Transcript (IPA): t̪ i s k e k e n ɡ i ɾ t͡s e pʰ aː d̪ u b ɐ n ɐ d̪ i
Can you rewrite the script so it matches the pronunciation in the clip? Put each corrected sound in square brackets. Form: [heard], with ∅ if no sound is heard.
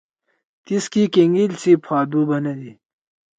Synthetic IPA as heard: t̪ i s k [i] k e [ŋ] ɡ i [l] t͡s [i] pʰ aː d̪ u b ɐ n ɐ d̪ i